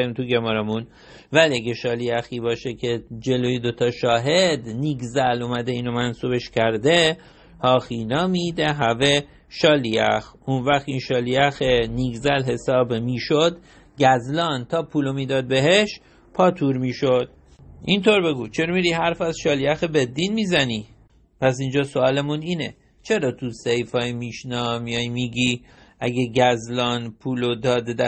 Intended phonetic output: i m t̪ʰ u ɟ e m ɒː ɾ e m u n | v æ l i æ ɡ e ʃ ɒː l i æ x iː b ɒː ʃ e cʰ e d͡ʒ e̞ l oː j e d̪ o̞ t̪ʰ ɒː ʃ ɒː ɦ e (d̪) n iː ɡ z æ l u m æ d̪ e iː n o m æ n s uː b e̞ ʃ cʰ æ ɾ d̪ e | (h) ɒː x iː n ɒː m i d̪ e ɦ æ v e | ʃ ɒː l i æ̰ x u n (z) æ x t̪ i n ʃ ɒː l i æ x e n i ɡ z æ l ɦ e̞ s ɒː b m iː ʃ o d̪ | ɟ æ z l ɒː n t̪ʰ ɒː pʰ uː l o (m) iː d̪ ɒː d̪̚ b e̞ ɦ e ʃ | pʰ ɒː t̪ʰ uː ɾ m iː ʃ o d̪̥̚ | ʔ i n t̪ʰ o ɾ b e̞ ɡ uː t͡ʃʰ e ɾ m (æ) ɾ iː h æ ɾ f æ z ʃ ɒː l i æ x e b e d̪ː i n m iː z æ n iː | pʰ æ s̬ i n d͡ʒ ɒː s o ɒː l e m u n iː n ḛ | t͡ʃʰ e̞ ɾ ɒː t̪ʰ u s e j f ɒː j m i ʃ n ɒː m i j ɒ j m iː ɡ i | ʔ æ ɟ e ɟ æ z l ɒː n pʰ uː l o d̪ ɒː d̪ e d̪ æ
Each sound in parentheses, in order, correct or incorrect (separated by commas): correct, correct, incorrect, correct, incorrect